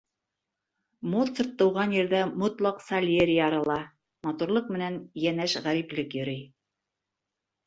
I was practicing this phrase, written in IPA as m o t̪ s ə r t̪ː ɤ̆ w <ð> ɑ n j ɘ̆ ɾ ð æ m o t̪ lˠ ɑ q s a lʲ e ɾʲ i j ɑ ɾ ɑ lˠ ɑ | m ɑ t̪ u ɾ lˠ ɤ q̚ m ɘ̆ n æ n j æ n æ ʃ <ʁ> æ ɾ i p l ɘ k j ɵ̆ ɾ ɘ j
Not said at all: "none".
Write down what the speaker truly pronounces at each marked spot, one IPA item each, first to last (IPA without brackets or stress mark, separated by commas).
ʁ, ʁ